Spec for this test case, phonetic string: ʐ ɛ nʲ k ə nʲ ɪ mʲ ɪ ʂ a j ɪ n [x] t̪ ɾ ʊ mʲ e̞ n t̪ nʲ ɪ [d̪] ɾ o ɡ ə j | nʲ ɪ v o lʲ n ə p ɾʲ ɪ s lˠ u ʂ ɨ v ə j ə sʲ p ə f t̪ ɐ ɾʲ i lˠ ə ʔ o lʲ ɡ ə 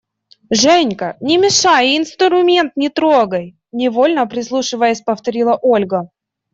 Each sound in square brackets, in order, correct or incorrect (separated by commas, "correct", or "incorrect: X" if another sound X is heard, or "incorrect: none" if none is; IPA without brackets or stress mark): incorrect: s, incorrect: t̪